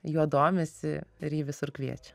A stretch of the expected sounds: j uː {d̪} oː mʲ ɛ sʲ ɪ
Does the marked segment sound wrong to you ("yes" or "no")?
no